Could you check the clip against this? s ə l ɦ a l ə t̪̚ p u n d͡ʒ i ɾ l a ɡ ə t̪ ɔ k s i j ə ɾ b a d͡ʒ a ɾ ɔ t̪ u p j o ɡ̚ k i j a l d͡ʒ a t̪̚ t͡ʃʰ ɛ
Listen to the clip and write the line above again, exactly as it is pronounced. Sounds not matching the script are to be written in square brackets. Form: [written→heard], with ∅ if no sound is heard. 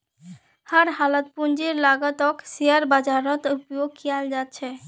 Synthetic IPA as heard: [s→h] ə [l→ɾ] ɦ a l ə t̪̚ p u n d͡ʒ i ɾ l a ɡ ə t̪ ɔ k s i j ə ɾ b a d͡ʒ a ɾ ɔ t̪ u p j o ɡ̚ k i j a l d͡ʒ a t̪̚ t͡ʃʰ ɛ